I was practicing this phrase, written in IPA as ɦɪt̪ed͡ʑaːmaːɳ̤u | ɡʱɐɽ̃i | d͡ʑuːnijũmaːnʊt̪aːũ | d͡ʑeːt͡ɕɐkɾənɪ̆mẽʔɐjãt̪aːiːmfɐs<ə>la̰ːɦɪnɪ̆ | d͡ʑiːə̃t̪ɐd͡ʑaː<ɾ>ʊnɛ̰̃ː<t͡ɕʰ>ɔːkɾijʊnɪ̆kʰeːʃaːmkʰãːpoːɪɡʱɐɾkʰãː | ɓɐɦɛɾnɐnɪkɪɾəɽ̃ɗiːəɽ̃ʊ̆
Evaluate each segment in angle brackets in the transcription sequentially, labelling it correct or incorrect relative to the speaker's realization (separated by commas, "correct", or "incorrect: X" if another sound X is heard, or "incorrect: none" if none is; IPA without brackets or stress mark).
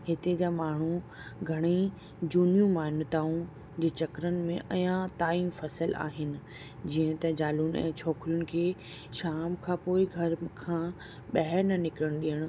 correct, incorrect: l, correct